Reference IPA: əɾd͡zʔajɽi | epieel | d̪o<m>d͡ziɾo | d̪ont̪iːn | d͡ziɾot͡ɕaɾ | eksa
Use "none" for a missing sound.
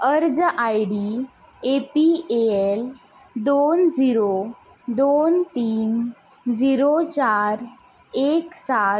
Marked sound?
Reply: n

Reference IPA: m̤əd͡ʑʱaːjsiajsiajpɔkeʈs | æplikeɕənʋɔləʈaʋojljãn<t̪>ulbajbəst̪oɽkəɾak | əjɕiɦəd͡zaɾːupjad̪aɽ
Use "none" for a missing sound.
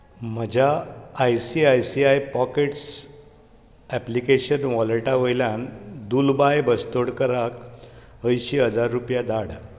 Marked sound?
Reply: d̪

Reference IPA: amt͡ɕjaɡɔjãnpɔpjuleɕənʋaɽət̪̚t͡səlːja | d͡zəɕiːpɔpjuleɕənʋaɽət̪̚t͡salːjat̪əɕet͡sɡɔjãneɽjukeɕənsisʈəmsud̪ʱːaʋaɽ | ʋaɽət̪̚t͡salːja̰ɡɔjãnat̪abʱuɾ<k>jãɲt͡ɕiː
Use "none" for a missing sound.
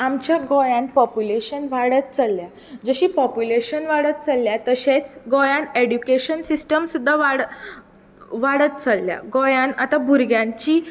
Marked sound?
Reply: ɡ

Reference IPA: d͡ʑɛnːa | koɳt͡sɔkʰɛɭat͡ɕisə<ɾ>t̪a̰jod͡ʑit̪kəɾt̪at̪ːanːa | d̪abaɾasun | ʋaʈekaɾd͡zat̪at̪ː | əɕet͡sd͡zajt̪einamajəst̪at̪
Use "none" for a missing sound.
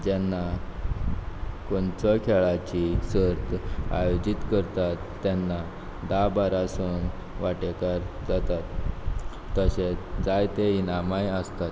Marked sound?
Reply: ɾ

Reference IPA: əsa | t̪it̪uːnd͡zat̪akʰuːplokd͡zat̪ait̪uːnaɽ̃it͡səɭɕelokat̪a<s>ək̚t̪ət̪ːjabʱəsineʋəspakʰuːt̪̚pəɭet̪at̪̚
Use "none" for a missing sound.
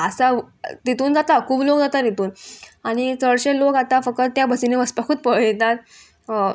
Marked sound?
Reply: f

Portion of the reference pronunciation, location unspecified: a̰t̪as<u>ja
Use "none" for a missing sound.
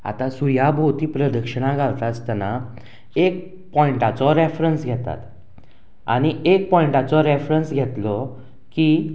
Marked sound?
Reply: u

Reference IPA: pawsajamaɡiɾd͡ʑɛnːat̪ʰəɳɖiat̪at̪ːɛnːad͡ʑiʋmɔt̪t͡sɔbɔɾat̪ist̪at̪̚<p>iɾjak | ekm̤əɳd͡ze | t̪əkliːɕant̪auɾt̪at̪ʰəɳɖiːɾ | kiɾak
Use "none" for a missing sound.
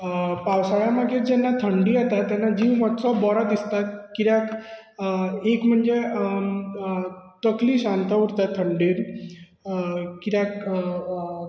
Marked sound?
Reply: k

